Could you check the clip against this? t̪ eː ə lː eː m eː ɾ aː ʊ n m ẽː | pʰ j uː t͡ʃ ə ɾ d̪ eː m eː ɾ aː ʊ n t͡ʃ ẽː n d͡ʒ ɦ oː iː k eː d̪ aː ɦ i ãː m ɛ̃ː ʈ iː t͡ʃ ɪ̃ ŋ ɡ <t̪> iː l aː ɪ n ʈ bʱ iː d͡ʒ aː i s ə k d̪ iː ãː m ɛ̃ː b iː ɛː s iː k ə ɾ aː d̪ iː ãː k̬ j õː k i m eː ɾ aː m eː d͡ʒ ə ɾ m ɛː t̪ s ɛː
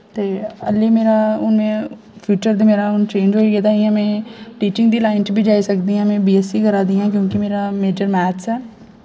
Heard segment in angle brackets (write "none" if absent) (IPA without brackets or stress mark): d̪